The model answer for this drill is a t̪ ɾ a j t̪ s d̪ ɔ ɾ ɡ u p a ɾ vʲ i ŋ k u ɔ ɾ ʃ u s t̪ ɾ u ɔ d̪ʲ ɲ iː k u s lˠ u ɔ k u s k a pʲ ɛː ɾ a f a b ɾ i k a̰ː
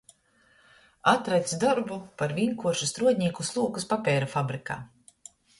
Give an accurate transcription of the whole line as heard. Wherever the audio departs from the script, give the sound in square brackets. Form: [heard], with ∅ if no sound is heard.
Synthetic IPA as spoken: a t̪ ɾ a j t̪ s d̪ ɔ ɾ [b] u p a ɾ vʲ i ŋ k u ɔ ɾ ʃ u s t̪ ɾ u ɔ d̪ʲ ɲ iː k u s lˠ u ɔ k u s [p] a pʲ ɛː ɾ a f a b ɾ i k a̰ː